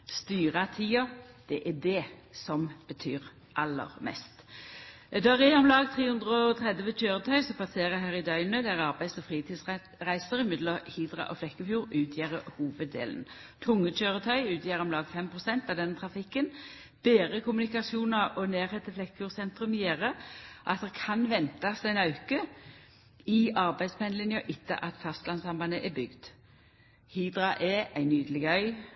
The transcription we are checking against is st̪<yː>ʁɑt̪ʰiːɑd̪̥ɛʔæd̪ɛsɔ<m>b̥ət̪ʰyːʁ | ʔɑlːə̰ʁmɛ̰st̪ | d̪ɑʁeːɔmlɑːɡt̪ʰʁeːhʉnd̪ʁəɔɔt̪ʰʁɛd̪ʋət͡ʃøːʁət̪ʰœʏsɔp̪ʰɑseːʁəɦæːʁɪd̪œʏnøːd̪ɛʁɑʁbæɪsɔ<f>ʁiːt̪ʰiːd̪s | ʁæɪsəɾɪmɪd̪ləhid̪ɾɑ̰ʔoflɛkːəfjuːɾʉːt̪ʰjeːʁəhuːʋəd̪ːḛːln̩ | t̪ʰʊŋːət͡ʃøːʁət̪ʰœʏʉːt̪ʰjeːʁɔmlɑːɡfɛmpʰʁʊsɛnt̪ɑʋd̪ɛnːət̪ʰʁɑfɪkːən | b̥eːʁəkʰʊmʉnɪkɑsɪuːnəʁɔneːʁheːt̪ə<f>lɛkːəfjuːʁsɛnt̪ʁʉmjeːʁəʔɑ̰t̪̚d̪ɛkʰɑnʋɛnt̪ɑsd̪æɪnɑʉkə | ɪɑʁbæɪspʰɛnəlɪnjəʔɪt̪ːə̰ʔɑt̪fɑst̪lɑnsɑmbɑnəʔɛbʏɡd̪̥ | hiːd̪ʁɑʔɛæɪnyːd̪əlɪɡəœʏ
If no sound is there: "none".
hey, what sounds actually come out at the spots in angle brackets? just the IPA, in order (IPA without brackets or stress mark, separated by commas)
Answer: yː, m, f, f